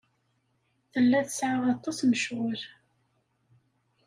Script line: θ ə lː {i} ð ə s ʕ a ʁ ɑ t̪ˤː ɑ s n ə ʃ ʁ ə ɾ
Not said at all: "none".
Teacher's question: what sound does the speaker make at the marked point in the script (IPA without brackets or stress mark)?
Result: æ